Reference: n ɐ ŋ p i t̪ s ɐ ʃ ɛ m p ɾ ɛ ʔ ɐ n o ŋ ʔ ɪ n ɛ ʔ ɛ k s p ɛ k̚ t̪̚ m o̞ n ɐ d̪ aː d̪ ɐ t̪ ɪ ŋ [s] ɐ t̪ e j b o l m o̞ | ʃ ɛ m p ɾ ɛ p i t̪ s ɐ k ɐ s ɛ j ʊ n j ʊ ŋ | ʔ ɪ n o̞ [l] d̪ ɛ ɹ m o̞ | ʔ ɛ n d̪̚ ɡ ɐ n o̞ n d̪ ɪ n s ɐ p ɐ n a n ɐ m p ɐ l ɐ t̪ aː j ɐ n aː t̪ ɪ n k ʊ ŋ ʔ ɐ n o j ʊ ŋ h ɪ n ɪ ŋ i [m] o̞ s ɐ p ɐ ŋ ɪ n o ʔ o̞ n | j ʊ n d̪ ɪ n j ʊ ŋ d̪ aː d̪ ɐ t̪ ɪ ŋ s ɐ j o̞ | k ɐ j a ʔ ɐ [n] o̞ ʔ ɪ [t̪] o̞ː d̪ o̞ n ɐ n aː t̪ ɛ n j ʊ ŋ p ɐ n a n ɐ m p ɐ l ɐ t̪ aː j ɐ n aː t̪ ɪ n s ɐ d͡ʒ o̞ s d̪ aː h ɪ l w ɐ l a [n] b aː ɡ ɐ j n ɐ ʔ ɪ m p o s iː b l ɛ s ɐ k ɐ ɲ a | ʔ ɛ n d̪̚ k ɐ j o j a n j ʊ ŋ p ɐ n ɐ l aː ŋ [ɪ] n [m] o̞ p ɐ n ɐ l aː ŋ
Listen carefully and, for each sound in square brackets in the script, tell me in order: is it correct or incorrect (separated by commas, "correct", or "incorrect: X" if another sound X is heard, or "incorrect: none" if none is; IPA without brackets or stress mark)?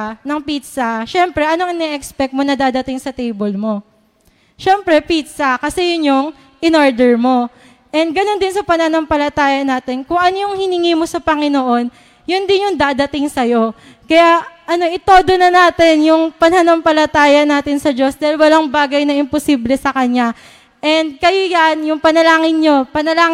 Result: correct, incorrect: ɹ, correct, correct, correct, incorrect: ŋ, correct, incorrect: ɲ